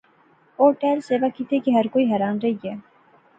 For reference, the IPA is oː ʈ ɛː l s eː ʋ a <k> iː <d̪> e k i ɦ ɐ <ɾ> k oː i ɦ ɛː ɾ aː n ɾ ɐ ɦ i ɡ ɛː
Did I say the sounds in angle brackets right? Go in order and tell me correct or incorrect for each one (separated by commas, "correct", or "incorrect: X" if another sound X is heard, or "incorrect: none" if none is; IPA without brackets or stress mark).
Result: correct, incorrect: t̪, correct